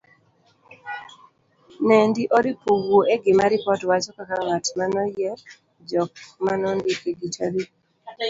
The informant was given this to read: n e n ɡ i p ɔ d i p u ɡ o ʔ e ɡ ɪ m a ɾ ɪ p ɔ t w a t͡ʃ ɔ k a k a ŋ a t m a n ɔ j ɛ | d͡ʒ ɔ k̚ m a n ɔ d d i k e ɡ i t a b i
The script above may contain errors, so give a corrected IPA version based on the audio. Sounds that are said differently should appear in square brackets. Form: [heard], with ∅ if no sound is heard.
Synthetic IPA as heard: n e n [d] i [ʔ] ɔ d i p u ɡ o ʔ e ɡ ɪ m a ɾ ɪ p ɔ t w a t͡ʃ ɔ k a k a ŋ a t m a n ɔ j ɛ | d͡ʒ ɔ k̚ m a n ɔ [n] d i k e ɡ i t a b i